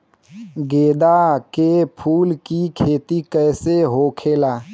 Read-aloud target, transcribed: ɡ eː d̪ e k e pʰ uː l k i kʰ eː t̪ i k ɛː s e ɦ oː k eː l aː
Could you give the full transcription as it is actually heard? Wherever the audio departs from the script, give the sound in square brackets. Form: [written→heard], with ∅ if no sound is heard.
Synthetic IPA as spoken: ɡ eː d̪ [e→a] k e pʰ uː l k i kʰ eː t̪ i k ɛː s e ɦ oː [k→kʰ] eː l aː